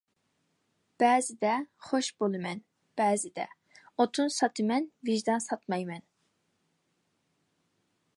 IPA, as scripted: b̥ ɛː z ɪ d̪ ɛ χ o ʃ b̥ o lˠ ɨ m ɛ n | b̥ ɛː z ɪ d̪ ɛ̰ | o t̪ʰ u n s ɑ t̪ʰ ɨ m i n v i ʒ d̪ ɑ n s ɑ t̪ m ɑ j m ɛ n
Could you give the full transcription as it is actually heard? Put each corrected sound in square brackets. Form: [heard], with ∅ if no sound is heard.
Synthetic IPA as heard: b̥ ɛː z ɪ d̪ ɛ χ o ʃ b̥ o lˠ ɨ m ɛ n | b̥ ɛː z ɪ d̪ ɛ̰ | o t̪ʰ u n s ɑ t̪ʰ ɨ m [ɛ] n v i ʒ d̪ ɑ n s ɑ t̪ m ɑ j m ɛ n